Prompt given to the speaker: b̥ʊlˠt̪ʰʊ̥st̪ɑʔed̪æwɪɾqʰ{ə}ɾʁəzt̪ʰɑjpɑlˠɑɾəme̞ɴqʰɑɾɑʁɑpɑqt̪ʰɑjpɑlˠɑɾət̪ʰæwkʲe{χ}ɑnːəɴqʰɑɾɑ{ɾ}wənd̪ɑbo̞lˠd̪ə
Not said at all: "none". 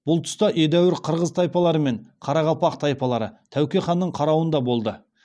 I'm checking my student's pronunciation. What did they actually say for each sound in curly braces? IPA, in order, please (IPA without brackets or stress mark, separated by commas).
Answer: ə, χ, none